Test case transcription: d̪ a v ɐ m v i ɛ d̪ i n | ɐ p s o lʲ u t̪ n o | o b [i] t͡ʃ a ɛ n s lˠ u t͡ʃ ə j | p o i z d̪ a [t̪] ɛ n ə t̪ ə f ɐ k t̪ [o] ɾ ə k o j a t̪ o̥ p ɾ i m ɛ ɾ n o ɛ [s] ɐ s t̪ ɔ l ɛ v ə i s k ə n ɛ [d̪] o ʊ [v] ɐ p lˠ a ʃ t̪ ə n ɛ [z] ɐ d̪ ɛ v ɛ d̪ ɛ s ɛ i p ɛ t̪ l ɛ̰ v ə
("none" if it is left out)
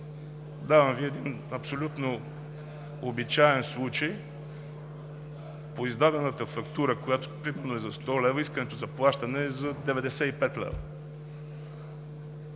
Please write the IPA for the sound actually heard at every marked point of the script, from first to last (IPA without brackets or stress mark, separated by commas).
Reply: i, d̪, u, z, t̪, z, z